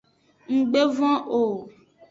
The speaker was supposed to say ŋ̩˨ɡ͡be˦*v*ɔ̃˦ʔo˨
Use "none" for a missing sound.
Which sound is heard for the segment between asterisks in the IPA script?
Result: v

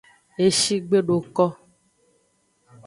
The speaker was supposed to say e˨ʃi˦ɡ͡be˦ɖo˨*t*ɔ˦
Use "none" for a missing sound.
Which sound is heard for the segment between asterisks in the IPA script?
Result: k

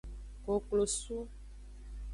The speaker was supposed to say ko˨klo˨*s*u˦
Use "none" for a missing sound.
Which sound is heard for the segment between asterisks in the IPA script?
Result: s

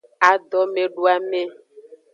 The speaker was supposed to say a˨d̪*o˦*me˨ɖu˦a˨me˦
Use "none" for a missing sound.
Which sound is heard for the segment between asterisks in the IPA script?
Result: ɔ˦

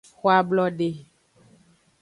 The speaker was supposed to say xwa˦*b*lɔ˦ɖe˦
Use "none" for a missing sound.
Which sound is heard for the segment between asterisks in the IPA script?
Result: b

